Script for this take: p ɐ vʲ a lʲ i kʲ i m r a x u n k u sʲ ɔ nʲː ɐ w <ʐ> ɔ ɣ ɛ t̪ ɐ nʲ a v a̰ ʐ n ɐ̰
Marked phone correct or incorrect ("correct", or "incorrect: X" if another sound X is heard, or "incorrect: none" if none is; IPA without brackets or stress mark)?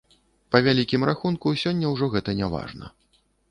correct